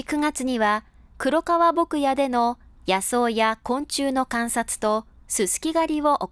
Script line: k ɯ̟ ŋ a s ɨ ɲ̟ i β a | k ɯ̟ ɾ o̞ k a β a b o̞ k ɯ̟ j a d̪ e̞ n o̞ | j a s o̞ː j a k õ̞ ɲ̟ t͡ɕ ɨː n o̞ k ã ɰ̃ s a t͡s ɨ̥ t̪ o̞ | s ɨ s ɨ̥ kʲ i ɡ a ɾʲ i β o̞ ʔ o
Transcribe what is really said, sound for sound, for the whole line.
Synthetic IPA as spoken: k ɯ̟ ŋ a t͡s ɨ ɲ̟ i β a | k ɯ̟ ɾ o̞ k a β a b o̞ k ɯ̟ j a d̪ e̞ n o̞ | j a s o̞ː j a k õ̞ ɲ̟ t͡ɕ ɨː n o̞ k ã ɰ̃ s a t͡s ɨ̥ t̪ o̞ | s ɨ s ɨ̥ kʲ i ɡ a ɾʲ i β o̞ ʔ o